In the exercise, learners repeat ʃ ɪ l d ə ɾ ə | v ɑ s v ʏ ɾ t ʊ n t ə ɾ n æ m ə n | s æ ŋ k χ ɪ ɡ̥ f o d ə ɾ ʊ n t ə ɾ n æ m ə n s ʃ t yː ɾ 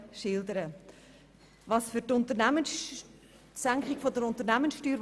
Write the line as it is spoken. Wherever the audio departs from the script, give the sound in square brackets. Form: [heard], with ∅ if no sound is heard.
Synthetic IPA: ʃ ɪ l d ə ɾ ə | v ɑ s [f] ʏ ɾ t ʊ n t ə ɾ n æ m ə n | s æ ŋ k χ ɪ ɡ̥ f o d ə ɾ ʊ n t ə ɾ n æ m ə n s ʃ t yː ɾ